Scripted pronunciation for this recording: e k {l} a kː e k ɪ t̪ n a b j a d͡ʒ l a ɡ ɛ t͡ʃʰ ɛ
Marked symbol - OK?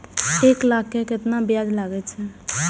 yes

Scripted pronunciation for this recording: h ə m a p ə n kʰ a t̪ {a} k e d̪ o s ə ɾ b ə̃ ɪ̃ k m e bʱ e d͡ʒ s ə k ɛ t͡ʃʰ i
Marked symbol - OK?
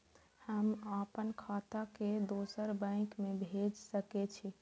yes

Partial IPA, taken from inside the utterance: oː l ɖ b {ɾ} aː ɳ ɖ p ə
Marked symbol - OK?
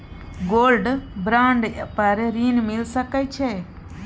yes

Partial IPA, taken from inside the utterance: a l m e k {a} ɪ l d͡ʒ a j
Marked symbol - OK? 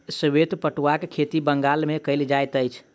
no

